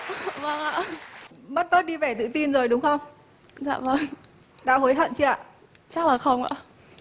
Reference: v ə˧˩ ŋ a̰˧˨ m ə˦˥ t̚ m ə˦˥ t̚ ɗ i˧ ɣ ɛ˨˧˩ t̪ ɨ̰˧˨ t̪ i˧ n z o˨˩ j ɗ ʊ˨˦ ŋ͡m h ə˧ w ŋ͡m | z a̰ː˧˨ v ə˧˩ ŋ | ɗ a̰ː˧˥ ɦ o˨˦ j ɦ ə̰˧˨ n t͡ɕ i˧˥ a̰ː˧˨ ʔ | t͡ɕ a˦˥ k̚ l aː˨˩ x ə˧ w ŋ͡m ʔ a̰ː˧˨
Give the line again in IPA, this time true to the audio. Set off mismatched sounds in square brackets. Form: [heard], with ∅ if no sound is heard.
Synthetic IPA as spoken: v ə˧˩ ŋ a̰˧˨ m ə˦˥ t̚ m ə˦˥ t̚ ɗ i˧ [v] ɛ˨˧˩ t̪ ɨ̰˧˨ t̪ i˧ n z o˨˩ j ɗ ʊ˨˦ ŋ͡m [x] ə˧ w ŋ͡m | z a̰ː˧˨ v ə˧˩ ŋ | ɗ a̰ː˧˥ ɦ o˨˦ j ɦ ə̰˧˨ n t͡ɕ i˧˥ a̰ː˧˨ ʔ | t͡ɕ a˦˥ k̚ l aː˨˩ x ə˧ w ŋ͡m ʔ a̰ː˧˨